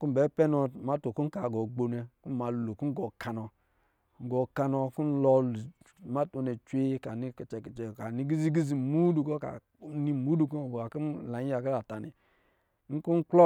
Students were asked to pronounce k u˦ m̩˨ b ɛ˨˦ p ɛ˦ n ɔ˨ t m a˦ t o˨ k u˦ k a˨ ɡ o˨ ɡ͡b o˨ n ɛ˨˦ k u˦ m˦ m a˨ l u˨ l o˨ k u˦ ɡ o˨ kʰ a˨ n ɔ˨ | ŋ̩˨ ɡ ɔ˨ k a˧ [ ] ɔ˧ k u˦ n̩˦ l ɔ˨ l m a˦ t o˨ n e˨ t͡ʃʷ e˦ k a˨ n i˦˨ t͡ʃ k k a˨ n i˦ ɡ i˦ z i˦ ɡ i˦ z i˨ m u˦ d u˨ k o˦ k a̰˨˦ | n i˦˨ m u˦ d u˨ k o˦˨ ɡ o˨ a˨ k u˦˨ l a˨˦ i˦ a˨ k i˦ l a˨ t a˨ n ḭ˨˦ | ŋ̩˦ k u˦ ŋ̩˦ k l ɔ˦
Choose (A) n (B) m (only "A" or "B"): A